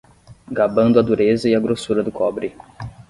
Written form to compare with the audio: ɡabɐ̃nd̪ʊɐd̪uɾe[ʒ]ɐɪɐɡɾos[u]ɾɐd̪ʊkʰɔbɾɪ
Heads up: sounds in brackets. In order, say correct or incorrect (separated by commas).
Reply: incorrect, correct